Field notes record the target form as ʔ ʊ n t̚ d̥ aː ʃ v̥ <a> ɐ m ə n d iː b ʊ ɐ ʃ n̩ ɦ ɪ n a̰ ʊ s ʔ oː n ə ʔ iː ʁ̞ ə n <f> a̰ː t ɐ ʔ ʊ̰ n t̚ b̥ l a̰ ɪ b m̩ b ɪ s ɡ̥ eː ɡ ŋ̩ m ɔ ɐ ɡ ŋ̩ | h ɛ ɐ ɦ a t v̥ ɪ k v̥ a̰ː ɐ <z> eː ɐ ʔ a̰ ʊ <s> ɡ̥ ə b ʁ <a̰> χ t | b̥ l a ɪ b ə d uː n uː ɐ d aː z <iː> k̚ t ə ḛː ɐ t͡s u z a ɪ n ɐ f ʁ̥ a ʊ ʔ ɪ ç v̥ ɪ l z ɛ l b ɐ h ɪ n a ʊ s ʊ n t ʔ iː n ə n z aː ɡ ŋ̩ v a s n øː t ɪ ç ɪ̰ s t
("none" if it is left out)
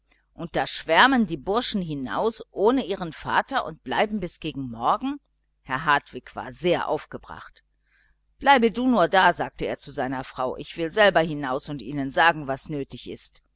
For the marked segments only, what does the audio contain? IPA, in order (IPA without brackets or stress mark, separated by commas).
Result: ɛ, f, z, f, a̰, aː